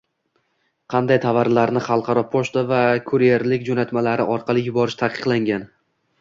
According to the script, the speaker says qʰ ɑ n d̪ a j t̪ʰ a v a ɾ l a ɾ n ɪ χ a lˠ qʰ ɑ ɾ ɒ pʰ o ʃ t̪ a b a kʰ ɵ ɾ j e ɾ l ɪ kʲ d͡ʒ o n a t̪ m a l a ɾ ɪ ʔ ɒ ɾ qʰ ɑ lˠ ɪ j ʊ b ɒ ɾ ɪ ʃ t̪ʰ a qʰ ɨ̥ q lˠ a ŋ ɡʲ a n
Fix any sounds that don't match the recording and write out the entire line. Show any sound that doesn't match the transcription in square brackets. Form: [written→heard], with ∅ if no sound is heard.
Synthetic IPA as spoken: qʰ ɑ n d̪ a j t̪ʰ a v a ɾ l a ɾ n ɪ χ [a→ɑ] lˠ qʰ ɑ ɾ ɒ pʰ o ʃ t̪ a [b→v] a kʰ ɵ ɾ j e ɾ l ɪ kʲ d͡ʒ o n a t̪ m a l a ɾ ɪ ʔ ɒ ɾ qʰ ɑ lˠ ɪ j ʊ b ɒ ɾ ɪ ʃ t̪ʰ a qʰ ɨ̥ q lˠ a ŋ ɡʲ a n